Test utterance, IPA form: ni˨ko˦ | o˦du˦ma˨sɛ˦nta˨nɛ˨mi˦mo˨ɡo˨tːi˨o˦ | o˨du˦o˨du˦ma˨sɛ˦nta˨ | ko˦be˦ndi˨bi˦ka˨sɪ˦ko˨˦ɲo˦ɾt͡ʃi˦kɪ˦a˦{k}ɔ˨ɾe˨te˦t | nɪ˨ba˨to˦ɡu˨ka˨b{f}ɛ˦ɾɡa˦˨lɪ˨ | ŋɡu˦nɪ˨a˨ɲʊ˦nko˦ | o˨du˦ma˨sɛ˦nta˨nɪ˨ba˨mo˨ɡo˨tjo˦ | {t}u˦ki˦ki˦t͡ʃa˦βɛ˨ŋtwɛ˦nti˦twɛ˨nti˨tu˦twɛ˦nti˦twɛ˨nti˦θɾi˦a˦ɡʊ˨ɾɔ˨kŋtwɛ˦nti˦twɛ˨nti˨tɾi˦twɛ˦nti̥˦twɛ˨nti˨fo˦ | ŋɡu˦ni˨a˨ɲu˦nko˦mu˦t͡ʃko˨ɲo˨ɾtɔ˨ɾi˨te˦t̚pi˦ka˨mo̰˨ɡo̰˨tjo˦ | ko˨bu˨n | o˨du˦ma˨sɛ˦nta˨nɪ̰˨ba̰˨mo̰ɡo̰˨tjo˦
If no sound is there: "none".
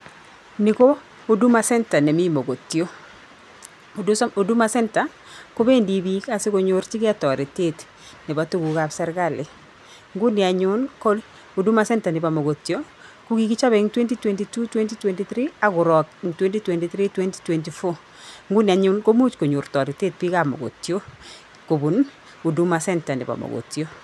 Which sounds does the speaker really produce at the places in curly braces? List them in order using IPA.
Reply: t, s, k

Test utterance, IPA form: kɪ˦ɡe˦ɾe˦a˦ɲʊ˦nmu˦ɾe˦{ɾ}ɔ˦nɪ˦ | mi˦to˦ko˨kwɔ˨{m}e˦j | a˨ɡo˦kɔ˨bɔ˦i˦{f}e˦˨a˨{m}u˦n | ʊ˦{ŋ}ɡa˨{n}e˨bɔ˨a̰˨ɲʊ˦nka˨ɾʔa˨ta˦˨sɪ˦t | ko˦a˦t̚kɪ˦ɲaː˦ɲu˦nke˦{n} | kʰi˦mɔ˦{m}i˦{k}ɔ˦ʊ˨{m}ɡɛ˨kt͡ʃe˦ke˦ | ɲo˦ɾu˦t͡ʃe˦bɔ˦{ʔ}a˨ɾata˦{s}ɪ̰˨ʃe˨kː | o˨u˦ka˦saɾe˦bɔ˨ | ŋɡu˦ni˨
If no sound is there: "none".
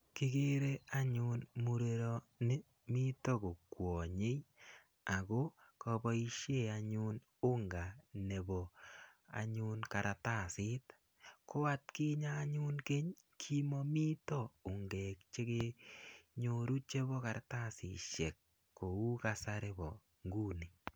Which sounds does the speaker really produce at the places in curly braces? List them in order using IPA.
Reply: ɾ, ɲ, ʃ, ɲ, ŋ, n, ɲ, m, t, ŋ, k, s

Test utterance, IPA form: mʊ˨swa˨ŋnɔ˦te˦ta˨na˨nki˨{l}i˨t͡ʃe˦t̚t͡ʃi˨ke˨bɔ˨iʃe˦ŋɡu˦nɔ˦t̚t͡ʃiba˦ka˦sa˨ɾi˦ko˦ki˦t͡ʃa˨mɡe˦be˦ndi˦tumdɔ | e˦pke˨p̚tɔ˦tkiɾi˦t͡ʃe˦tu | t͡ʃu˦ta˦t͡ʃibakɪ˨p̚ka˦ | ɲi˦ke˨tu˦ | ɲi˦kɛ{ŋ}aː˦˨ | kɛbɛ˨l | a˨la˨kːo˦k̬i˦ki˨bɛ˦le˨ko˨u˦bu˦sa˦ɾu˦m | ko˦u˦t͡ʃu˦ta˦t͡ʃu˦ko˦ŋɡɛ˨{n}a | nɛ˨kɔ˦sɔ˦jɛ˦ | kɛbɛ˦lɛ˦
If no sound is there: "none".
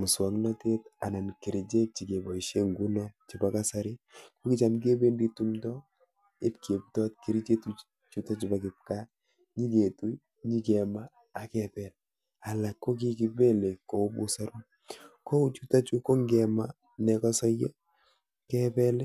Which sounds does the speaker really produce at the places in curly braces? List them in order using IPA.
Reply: ɾ, m, m

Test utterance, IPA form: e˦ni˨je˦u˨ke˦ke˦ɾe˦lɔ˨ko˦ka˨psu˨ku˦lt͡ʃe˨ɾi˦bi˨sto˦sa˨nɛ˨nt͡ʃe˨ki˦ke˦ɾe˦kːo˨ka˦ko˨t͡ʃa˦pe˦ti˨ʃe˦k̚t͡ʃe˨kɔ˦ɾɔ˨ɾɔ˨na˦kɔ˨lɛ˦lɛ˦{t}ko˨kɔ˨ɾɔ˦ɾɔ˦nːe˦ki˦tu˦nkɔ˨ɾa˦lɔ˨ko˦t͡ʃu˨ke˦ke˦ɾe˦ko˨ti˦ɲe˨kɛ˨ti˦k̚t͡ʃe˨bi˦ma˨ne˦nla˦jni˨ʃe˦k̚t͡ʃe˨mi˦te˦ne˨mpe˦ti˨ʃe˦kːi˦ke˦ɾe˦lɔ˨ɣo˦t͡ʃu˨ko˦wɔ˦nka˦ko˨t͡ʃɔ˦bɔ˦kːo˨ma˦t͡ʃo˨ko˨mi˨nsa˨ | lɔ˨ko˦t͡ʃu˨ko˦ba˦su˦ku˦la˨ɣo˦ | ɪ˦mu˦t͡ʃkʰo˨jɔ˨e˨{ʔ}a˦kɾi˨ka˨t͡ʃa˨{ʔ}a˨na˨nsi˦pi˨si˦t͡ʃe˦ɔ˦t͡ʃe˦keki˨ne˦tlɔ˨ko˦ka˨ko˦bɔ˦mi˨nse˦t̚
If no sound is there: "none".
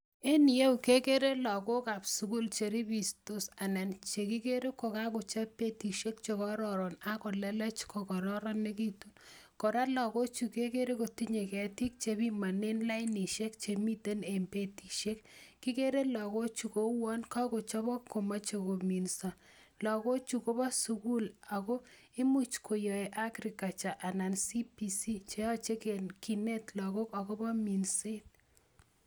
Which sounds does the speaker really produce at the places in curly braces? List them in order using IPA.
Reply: t͡ʃ, ʔ, ʔ

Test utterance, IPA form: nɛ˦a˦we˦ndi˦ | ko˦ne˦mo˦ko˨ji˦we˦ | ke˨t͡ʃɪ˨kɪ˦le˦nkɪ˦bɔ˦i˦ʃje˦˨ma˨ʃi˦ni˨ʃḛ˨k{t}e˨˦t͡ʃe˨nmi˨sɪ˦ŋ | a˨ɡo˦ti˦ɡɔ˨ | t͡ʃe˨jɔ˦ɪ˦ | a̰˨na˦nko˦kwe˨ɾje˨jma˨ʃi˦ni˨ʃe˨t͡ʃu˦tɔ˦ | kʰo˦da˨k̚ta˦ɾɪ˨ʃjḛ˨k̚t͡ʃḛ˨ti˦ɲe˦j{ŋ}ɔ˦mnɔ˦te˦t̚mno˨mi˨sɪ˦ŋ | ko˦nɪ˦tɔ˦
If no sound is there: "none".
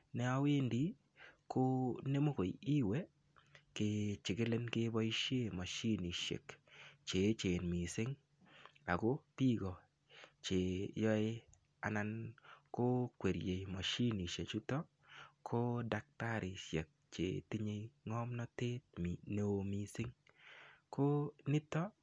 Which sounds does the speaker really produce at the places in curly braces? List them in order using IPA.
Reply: t͡ʃ, ŋ

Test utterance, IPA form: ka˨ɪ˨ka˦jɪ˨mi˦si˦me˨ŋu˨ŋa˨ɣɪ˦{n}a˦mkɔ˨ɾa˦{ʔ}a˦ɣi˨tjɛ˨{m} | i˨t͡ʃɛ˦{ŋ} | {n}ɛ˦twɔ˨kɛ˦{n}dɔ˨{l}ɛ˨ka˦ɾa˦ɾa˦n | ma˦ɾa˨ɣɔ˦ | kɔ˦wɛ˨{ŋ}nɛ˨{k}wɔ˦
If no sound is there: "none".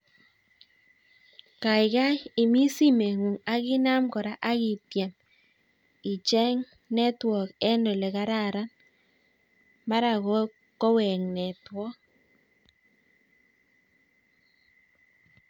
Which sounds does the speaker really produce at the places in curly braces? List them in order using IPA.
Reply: n, ʔ, m, ŋ, n, n, l, ŋ, t

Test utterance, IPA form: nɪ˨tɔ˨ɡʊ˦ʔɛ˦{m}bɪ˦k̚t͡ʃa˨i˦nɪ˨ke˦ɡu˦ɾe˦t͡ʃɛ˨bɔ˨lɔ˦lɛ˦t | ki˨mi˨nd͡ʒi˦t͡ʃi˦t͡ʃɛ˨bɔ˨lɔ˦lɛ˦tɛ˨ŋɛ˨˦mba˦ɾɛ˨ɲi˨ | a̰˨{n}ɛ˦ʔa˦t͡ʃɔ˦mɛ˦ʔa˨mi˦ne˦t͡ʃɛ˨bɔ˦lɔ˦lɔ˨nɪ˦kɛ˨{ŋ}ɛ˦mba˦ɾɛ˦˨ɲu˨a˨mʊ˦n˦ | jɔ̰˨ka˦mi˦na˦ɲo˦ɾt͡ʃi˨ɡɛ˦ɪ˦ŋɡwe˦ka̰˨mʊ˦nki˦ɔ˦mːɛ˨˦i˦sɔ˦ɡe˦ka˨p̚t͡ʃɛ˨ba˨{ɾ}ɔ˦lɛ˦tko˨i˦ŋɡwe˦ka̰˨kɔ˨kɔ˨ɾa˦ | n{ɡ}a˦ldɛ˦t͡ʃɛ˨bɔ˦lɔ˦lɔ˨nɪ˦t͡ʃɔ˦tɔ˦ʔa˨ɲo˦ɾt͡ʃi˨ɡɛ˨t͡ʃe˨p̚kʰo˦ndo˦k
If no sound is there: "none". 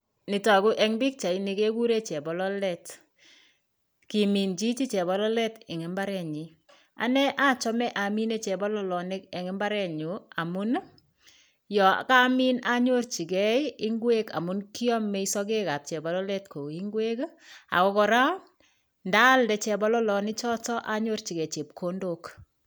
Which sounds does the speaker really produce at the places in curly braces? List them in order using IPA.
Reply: ŋ, n, ŋ, l, d

